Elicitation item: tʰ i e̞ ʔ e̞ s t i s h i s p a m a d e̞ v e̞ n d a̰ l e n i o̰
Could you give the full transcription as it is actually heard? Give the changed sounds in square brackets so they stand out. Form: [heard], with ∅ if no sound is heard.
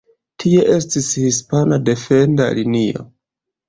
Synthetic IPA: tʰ i e̞ ʔ e̞ s t i s h i s p a [n] a d e̞ [f] e̞ n d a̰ l [i] n i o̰